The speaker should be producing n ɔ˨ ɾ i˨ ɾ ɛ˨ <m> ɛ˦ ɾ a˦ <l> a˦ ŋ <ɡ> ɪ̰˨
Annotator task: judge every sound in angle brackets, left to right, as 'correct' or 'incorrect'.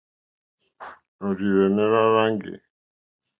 incorrect, incorrect, correct

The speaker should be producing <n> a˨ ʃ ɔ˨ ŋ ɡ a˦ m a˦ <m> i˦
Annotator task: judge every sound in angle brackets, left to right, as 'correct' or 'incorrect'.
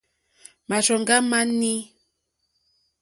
incorrect, incorrect

